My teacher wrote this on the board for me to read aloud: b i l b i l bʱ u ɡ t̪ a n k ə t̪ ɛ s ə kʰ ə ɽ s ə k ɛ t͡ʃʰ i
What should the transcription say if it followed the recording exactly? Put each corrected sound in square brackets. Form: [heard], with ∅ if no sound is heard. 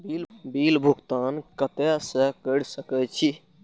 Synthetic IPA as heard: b i l b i l bʱ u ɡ t̪ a n k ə t̪ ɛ s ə [k] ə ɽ s ə k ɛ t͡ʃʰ i